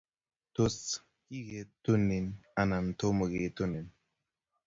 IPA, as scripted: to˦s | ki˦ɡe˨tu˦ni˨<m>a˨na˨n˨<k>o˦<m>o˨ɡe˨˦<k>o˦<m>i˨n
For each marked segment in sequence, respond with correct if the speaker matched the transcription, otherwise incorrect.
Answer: incorrect, incorrect, correct, incorrect, incorrect

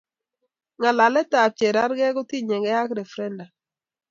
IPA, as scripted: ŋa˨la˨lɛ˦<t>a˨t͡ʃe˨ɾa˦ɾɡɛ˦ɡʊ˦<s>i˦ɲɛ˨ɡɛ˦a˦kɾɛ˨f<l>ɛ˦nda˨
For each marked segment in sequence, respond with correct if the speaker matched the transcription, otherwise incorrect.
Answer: correct, incorrect, incorrect

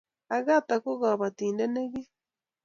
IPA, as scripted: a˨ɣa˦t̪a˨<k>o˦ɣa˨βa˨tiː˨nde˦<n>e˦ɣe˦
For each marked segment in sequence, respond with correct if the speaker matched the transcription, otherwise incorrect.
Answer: correct, correct

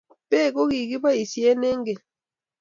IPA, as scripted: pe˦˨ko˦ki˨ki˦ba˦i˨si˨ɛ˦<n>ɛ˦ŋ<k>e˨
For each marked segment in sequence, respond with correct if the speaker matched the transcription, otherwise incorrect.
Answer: correct, incorrect

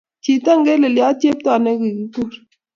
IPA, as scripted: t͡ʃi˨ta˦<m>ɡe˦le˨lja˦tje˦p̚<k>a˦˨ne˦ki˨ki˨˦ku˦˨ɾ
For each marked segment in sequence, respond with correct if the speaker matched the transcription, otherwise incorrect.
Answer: incorrect, incorrect

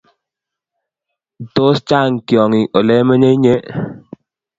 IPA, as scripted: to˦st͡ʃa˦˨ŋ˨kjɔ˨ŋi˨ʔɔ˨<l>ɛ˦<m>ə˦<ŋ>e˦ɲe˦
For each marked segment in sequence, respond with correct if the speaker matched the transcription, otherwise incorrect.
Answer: correct, correct, incorrect

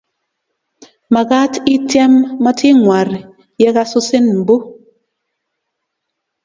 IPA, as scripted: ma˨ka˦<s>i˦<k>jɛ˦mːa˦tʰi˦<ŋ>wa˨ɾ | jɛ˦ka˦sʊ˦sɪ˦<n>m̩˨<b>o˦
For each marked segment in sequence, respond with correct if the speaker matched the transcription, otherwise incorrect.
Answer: incorrect, incorrect, correct, correct, correct

